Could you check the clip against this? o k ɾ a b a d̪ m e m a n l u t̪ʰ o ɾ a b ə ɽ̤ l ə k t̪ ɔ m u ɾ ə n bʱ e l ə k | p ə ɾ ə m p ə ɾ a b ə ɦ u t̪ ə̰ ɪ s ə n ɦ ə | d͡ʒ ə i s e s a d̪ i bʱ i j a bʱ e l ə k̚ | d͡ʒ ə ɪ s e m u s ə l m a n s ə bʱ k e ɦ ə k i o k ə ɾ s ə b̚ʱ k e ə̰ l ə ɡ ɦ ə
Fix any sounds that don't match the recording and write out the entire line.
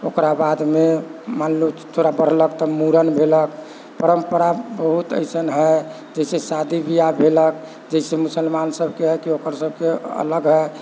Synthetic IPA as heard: o k ɾ a b a d̪ m e m a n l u t̪ʰ o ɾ a b ə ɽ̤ l ə k t̪ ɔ m u ɾ ə n bʱ e l ə k | p ə ɾ ə m p ə ɾ a b ə ɦ u t̪ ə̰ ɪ s ə n ɦ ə | d͡ʒ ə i s e s a d̪ i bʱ i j a bʱ e l ə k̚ | d͡ʒ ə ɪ s e m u s ə l m a n s ə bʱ k e ɦ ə k i o k ə ɾ s ə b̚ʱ k e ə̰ l ə ɡ ɦ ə